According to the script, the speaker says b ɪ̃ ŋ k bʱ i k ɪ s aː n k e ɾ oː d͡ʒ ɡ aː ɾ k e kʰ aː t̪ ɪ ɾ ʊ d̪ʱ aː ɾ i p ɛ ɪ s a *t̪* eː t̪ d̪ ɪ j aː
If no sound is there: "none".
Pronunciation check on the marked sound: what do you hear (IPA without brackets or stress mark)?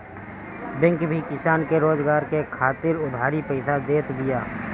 d̪